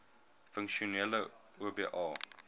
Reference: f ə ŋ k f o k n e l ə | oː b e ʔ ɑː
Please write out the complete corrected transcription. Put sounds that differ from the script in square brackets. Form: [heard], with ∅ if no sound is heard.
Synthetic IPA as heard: f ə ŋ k [ʃ] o [∅] n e l ə | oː b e ʔ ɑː